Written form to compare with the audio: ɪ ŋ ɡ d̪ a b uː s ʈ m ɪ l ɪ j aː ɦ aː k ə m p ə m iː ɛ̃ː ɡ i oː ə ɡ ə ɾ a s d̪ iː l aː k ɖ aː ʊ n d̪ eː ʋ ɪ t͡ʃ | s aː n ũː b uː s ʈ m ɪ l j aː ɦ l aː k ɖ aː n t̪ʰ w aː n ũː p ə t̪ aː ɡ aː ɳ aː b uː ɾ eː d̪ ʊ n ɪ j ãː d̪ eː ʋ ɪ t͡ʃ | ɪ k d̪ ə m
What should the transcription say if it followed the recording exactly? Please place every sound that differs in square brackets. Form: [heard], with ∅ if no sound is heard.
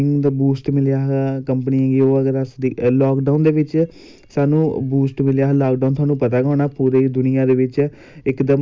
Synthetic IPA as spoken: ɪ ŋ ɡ d̪ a b uː s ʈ m ɪ l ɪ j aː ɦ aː k ə m p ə [n] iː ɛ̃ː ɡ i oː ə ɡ ə ɾ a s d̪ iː l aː k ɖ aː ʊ n d̪ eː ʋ ɪ t͡ʃ | s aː n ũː b uː s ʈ m ɪ l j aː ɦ l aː k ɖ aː n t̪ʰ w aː n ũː p ə t̪ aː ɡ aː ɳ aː [p] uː ɾ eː d̪ ʊ n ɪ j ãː d̪ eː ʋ ɪ t͡ʃ | ɪ k d̪ ə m